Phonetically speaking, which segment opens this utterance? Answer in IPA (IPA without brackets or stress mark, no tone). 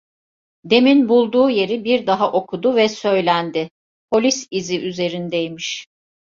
d̪